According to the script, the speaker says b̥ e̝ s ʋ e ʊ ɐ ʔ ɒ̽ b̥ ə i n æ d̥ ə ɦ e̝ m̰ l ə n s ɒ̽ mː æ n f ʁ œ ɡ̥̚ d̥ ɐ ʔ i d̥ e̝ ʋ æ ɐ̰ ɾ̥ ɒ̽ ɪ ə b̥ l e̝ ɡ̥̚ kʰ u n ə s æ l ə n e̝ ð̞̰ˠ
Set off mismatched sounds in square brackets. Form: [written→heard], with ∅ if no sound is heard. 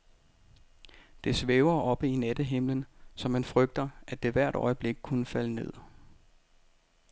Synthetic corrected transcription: [b̥→d̥] e̝ s ʋ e ʊ ɐ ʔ ɒ̽ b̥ ə i n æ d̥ ə ɦ e̝ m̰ l ə n s ɒ̽ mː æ n f ʁ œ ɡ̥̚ d̥ ɐ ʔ [i→æ] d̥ e̝ ʋ æ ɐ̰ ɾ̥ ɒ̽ ɪ ə b̥ l e̝ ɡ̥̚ kʰ u n ə [s→f] æ l ə n e̝ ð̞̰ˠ